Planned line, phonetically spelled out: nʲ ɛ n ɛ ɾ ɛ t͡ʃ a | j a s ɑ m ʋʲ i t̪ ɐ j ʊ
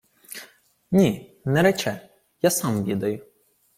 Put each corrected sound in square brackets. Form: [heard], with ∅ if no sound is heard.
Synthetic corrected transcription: nʲ [i] n ɛ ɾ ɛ t͡ʃ [ɛ] | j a s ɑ m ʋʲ i [d̪] ɐ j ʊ